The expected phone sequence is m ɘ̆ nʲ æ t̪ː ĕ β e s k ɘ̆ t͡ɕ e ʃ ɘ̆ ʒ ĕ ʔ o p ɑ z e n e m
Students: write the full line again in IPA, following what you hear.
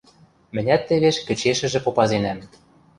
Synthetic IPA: m ɘ̆ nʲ æ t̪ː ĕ β e ʃ k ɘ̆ t͡ɕ e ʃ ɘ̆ ʒ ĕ p o p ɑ z e n æ m